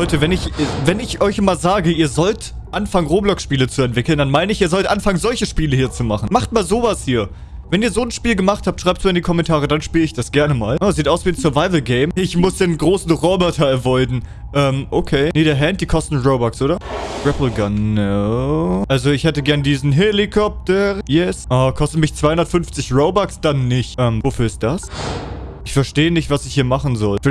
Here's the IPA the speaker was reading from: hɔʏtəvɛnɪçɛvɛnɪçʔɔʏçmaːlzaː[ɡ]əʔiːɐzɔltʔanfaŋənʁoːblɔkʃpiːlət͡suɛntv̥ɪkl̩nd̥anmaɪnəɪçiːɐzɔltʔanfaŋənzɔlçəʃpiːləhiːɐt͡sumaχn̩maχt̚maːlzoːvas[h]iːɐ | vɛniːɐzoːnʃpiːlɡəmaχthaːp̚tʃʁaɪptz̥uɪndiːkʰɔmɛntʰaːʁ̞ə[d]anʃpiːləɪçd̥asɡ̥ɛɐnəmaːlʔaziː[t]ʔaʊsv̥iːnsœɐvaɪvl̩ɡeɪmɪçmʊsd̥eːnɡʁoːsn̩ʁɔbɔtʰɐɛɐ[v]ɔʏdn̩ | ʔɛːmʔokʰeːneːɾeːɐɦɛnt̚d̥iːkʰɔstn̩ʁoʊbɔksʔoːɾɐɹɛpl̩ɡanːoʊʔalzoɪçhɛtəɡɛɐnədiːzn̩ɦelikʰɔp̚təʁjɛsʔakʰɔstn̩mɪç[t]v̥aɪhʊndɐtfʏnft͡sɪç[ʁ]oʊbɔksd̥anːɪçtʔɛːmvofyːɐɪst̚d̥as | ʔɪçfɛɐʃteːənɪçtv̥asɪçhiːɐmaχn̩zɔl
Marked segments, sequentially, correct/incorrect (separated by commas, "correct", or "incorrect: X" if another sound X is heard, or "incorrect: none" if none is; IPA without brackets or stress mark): correct, correct, correct, correct, correct, incorrect: t͡s, correct